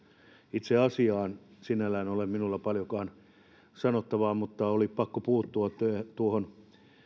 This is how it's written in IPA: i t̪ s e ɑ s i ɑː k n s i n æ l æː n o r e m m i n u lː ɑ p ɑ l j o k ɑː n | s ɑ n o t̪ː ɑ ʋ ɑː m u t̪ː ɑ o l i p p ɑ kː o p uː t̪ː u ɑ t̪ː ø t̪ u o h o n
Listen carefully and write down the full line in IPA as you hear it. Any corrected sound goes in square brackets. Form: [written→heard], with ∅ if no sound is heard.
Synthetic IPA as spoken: i t̪ s e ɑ s i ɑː [k→∅] n s i n æ l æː n o [r→l] e m m i n u lː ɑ p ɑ l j o k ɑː n | s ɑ n o t̪ː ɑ ʋ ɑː m u t̪ː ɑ o l i p p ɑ kː o p uː t̪ː u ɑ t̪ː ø t̪ u o h o n